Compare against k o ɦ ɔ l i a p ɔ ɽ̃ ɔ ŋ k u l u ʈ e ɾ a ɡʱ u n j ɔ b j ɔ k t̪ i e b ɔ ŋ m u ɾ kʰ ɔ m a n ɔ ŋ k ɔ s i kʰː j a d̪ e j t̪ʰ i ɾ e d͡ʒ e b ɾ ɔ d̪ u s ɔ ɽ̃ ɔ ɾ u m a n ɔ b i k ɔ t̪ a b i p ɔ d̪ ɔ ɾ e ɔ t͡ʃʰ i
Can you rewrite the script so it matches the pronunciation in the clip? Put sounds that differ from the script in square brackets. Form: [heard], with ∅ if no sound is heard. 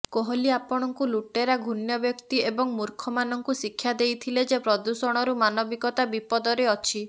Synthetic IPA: k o ɦ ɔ l i a p ɔ ɽ̃ ɔ ŋ k u l u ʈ e ɾ a ɡʱ u n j ɔ b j ɔ k t̪ i e b ɔ ŋ m u ɾ kʰ ɔ m a n ɔ ŋ k [u] s i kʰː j a d̪ e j t̪ʰ i [l] e d͡ʒ e [p] ɾ ɔ d̪ u s ɔ ɽ̃ ɔ ɾ u m a n ɔ b i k ɔ t̪ a b i p ɔ d̪ ɔ ɾ e ɔ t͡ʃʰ i